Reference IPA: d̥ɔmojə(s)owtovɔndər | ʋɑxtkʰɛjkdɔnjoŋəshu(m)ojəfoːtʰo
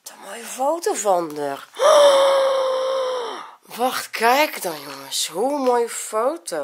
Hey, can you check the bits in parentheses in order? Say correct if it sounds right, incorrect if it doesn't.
incorrect: f, correct

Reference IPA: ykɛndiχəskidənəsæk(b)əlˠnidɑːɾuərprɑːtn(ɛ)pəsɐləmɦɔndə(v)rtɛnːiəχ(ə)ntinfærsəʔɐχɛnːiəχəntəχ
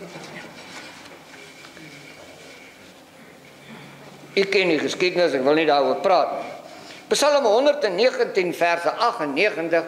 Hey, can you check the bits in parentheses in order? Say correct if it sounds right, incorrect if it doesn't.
incorrect: v, incorrect: i, incorrect: none, correct

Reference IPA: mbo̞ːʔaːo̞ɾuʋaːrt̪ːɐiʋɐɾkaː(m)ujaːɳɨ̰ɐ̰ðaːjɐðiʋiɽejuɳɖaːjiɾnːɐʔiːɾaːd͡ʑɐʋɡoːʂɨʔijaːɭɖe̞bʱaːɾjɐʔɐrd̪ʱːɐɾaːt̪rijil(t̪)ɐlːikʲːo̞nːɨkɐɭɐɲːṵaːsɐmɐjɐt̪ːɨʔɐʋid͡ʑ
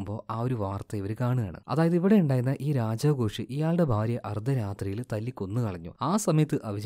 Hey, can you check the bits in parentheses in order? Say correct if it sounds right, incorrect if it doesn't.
incorrect: ɳ, correct

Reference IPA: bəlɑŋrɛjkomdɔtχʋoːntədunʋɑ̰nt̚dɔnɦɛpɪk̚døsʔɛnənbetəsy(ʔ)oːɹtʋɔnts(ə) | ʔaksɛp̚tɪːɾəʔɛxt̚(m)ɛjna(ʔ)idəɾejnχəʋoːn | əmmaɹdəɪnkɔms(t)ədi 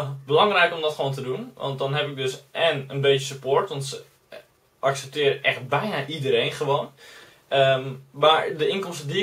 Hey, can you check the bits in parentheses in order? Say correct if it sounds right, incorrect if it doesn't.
incorrect: p, correct, incorrect: b, correct, correct

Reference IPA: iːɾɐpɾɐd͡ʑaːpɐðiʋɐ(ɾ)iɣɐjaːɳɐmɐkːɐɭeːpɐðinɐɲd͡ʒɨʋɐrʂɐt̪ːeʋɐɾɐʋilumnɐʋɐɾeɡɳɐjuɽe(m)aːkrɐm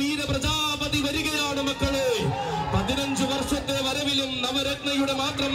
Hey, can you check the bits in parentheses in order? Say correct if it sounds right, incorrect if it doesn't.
correct, correct

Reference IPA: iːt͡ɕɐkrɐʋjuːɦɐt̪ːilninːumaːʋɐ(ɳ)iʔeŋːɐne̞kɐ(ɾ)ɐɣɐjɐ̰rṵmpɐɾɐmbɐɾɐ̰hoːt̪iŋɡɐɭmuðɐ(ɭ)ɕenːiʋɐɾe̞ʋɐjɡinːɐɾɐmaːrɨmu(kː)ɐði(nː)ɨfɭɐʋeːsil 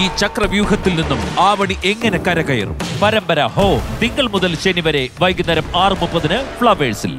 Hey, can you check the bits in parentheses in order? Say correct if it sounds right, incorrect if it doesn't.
correct, correct, incorrect: l, incorrect: pː, incorrect: n

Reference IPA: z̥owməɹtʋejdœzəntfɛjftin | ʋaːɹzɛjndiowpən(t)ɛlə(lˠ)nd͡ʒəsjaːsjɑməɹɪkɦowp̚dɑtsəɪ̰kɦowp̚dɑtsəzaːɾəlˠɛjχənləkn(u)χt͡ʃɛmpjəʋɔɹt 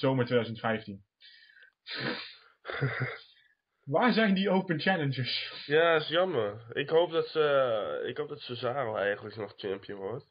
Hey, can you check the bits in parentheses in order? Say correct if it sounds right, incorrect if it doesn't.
incorrect: t͡ʃ, incorrect: none, incorrect: ɔ

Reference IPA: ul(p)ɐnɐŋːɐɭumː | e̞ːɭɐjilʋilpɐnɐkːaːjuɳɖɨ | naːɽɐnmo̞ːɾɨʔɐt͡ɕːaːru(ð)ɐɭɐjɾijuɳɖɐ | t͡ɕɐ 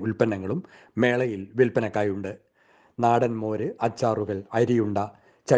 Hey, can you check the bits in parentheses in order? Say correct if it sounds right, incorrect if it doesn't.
correct, incorrect: ɣ

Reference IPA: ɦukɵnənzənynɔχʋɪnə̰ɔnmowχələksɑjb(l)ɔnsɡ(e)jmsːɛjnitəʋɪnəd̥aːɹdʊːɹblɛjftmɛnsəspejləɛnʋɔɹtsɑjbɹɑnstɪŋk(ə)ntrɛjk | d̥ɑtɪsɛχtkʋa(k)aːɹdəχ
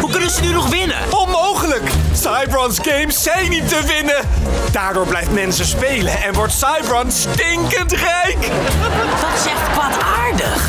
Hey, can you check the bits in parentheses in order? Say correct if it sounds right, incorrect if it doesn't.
incorrect: ɹ, correct, correct, incorrect: t

